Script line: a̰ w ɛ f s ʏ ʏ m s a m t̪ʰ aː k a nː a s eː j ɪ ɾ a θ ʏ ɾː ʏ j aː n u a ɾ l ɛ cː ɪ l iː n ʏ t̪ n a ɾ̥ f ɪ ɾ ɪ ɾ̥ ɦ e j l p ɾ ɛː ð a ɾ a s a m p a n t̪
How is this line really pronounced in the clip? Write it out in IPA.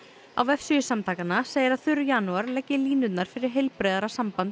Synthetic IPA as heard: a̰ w ɛ f s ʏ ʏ s a m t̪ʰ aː k a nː a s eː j ɪ ɾ a θ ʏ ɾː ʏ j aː n u a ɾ l ɛ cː ɪ l iː n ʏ t̪ n a ɾ̥ f ɪ ɾ ɪ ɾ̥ ɦ e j l p ɾ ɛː ð a ɾ a s a m p a n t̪